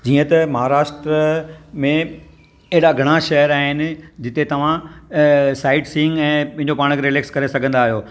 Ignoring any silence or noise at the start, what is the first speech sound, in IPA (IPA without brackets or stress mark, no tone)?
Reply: d͡ʑ